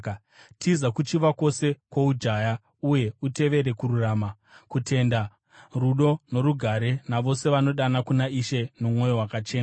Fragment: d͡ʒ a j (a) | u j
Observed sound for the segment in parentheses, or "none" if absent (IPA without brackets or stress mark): a